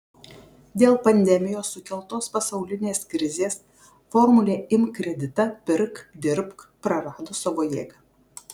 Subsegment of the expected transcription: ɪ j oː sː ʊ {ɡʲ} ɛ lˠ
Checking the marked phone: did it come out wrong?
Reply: yes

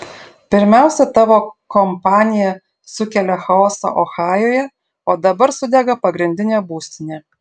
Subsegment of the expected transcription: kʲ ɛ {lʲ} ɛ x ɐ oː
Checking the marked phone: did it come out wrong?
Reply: no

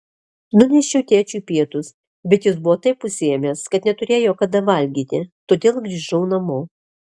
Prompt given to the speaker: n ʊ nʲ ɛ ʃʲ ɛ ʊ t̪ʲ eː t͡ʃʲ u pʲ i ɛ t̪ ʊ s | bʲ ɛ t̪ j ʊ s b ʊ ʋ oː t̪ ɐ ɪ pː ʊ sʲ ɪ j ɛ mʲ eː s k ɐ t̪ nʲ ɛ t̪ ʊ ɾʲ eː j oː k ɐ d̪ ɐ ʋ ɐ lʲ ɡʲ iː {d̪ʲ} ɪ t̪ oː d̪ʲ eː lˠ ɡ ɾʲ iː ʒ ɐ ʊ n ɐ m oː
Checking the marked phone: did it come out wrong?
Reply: yes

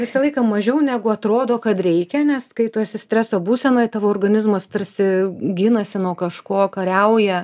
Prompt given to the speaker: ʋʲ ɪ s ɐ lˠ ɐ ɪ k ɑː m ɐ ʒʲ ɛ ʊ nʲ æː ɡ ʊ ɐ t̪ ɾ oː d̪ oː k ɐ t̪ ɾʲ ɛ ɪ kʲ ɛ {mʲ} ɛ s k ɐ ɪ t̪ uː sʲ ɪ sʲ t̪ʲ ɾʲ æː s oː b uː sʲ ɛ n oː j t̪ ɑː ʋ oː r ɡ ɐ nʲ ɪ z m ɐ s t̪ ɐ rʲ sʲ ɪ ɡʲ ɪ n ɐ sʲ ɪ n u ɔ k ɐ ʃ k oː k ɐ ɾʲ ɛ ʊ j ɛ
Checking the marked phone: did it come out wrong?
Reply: yes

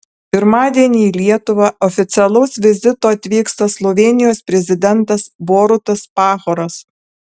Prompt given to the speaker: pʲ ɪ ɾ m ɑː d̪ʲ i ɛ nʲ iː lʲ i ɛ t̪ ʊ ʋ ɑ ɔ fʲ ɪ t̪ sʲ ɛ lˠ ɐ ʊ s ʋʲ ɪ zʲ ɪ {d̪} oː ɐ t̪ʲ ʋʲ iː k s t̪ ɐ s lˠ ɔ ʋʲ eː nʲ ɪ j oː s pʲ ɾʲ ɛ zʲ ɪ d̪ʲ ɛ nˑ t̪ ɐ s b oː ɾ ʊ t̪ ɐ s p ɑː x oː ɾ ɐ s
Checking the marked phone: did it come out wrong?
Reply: yes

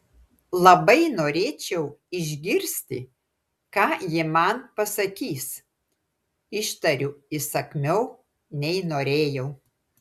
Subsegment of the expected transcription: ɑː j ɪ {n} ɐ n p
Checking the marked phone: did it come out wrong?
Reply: yes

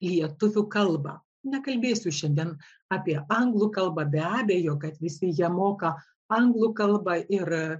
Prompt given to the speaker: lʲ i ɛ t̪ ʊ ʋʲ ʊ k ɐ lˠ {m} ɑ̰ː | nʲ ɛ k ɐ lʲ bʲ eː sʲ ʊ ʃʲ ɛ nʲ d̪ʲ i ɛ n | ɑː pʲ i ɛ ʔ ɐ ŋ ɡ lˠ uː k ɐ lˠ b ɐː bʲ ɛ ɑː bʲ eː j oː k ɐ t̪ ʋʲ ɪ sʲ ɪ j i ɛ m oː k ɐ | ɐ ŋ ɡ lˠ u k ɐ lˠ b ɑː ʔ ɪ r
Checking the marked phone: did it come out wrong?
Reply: yes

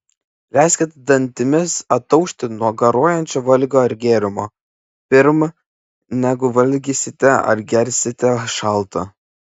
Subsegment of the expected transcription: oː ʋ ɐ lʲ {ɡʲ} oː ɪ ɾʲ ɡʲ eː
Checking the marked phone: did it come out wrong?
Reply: no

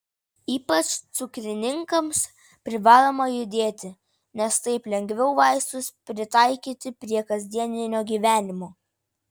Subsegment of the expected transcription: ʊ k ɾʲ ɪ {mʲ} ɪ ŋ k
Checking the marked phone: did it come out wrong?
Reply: yes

